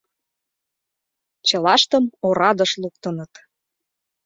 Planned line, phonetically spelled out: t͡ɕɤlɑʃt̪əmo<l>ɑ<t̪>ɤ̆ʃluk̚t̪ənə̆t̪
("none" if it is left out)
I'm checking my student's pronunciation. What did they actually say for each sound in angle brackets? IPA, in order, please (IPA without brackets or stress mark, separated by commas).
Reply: ɾ, d̪